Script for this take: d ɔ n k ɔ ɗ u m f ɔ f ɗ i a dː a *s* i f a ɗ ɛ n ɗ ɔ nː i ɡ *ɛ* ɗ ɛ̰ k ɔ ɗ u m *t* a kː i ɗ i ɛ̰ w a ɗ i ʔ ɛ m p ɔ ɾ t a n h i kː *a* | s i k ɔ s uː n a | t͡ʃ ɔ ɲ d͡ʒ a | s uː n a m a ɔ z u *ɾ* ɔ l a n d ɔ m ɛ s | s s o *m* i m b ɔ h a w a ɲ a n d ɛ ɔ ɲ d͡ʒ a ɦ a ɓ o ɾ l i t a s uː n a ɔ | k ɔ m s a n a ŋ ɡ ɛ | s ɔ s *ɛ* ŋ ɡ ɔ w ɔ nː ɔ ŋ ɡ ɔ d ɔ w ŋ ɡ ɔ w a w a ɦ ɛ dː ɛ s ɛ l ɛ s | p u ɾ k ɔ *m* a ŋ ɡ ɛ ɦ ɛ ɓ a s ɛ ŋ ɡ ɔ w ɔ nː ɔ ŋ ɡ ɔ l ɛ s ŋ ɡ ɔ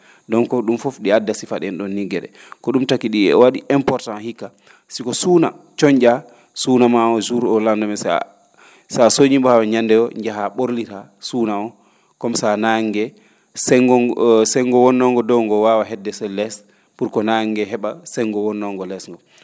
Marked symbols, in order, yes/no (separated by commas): yes, yes, yes, yes, yes, no, yes, no